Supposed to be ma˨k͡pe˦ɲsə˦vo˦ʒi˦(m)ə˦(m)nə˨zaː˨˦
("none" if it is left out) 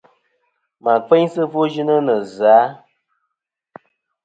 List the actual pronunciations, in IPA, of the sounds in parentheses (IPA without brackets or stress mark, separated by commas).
n, none